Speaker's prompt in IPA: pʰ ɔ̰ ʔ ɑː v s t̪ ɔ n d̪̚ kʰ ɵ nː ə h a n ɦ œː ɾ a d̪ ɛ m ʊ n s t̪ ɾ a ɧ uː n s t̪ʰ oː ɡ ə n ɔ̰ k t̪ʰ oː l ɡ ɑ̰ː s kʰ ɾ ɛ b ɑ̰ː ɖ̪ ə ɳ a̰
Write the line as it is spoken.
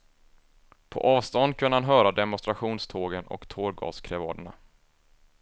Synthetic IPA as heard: pʰ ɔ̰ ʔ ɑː v s t̪ ɔ n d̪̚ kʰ ɵ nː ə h a n ɦ œː ɾ a d̪ ɛ m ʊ n s t̪ ɾ a ɧ uː n s t̪ʰ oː ɡ ə n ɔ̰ k t̪ʰ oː ɾ ɡ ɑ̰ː s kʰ ɾ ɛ v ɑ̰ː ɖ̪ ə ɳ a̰

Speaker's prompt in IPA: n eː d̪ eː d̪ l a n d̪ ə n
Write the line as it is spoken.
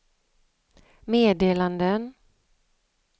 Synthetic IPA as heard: m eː d̪ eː l a n d̪ ə n

